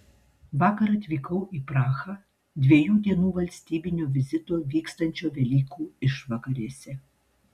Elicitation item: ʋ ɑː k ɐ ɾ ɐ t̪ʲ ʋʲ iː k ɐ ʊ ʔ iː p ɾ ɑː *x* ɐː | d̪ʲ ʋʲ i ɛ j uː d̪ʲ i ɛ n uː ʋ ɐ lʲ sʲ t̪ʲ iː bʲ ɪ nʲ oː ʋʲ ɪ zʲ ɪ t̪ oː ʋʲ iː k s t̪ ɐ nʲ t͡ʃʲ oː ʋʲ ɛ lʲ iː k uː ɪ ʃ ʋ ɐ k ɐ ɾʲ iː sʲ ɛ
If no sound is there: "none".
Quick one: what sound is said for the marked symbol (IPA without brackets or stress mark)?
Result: x